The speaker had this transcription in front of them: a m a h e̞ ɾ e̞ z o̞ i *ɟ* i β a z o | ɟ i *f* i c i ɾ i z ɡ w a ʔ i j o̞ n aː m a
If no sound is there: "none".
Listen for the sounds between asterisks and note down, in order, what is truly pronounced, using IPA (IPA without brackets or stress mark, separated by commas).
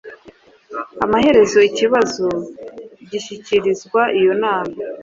c, ʃ